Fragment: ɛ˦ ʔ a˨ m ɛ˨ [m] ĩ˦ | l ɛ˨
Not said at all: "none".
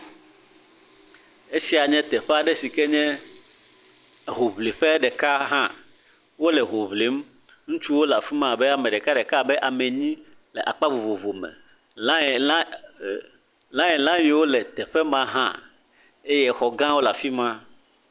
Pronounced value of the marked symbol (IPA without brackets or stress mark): ɲ